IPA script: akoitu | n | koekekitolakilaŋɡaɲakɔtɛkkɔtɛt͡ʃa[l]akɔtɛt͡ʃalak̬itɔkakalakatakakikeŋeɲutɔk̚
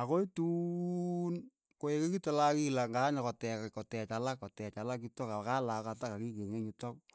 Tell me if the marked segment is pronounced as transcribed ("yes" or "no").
yes